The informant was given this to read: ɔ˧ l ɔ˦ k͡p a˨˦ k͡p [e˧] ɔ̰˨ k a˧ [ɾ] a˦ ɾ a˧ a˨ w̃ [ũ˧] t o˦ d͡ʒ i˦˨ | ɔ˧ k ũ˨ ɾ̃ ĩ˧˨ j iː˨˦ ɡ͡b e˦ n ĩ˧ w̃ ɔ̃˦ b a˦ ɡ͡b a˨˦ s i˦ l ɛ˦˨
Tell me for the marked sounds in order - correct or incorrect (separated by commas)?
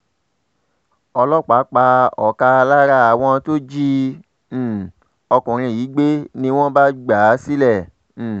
incorrect, incorrect, incorrect